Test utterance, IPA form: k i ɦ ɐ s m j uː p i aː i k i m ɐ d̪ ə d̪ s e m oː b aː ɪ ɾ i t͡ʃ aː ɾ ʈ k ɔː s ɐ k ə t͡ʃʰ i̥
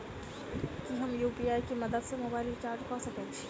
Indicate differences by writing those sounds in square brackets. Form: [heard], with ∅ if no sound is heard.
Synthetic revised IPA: k i ɦ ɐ [∅] m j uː p i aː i k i m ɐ d̪ ə d̪ s e m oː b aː ɪ [l] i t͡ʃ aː ɾ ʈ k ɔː s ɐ k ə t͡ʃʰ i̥